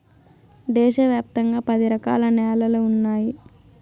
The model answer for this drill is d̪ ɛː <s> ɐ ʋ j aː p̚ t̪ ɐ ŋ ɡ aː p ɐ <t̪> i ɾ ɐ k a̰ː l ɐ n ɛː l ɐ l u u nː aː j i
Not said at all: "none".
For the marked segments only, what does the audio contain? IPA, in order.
ʃ, d̪

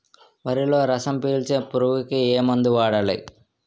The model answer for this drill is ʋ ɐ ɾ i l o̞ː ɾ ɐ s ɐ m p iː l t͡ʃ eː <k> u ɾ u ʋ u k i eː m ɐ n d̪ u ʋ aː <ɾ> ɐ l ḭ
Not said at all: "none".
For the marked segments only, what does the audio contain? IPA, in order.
p, ɽ

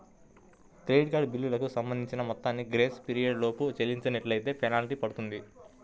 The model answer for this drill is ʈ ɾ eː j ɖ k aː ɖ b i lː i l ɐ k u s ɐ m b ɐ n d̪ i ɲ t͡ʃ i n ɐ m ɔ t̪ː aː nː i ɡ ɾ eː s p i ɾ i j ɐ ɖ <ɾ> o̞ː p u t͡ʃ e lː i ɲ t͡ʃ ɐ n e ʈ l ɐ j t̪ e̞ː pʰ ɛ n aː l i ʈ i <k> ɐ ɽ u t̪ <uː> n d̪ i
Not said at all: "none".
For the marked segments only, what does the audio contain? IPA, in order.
l, p, u

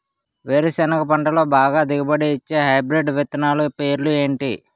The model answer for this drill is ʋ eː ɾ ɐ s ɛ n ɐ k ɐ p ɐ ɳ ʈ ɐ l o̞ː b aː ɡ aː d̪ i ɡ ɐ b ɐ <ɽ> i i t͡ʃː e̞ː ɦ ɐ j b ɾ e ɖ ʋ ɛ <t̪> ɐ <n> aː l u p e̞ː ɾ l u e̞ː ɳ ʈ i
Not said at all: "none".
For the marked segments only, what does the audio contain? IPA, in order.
ɽ, t̪, n

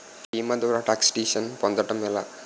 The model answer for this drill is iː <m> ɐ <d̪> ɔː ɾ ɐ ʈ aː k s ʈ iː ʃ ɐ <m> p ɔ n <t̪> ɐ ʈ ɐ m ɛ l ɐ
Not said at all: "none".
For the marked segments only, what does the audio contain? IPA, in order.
m, d̪, n, d̪

